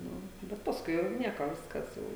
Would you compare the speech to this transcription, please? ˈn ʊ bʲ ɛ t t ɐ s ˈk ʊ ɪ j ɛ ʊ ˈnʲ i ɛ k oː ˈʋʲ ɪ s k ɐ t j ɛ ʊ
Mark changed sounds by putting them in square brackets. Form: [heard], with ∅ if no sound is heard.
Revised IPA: ˈn ʊ bʲ ɛ t [p] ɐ s ˈk ʊ ɪ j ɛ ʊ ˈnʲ i ɛ k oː ˈʋʲ ɪ s k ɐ [s] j ɛ ʊ